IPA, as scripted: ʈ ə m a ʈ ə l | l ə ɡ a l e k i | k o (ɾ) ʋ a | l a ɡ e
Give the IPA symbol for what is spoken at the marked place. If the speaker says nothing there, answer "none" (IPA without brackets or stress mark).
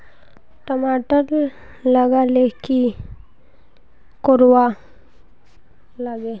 ɾ